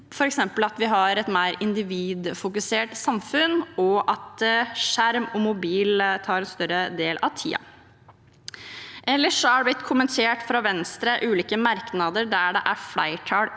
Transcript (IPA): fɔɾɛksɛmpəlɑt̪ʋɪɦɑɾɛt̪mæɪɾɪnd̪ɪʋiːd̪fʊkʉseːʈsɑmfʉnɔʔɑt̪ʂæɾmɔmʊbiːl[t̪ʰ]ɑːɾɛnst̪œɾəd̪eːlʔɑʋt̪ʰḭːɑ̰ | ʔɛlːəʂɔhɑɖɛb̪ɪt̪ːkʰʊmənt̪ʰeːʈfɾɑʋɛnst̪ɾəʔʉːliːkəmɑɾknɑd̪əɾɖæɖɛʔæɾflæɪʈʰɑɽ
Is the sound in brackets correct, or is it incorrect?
correct